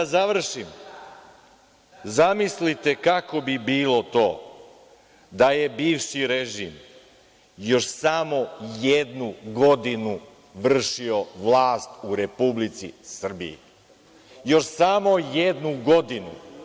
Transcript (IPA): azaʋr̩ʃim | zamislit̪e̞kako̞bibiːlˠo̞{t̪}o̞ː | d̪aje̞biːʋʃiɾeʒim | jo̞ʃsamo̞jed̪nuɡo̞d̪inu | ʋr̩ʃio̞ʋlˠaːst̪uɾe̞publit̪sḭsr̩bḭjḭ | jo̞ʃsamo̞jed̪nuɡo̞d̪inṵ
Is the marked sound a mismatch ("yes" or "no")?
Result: no